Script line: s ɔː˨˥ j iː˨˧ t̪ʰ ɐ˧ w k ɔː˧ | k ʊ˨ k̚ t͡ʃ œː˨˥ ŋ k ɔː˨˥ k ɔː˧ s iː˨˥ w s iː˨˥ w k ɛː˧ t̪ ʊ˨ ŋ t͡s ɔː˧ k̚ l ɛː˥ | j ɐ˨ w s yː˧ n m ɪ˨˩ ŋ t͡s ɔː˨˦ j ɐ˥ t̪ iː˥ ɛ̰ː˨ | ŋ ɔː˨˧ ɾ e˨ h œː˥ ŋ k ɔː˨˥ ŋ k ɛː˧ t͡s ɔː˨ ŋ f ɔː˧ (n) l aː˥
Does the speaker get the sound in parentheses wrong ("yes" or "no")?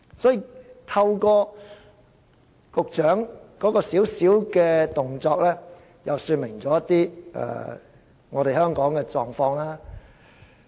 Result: yes